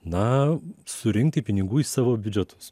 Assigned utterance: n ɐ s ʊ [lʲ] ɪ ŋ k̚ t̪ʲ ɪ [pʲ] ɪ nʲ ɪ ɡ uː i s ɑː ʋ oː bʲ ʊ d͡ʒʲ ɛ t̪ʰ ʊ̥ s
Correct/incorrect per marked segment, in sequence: incorrect, correct

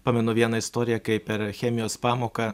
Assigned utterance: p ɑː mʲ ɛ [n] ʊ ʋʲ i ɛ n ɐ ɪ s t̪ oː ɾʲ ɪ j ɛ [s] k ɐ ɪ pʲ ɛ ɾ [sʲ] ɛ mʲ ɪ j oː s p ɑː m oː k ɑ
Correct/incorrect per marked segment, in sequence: correct, incorrect, incorrect

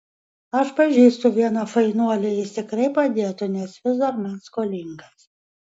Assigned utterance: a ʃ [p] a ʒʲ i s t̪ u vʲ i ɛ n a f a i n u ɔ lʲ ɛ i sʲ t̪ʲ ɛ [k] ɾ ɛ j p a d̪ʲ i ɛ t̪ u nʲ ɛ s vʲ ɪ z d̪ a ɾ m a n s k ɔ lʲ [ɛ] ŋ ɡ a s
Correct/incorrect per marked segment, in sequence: correct, correct, incorrect

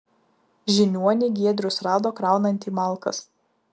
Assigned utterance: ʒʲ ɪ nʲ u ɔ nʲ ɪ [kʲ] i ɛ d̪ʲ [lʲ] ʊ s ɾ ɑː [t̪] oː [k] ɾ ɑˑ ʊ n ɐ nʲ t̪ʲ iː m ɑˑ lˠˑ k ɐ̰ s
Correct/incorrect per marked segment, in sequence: incorrect, incorrect, incorrect, correct

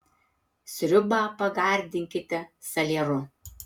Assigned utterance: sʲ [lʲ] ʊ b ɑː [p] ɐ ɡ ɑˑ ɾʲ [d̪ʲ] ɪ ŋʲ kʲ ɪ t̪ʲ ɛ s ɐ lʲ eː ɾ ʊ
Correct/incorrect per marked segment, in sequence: incorrect, correct, correct

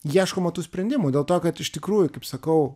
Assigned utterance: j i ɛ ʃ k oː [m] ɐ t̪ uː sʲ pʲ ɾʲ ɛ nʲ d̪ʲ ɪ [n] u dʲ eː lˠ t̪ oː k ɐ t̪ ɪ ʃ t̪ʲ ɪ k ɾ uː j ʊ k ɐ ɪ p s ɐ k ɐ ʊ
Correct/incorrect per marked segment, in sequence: correct, incorrect

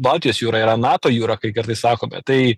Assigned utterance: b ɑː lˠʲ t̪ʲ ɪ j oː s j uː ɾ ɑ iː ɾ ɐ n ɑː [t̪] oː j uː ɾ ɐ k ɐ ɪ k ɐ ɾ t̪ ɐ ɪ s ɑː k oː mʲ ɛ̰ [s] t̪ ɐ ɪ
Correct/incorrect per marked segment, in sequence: correct, incorrect

